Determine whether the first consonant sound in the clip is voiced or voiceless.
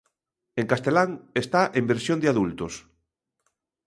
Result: voiced